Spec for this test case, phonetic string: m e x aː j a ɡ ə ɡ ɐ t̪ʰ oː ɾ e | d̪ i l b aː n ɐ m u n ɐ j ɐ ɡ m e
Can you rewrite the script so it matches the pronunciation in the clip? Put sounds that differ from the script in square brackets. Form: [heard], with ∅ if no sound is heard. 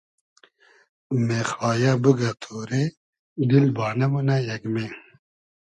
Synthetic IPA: m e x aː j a [b] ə ɡ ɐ t̪ʰ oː ɾ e | d̪ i l b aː n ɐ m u n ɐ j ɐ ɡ m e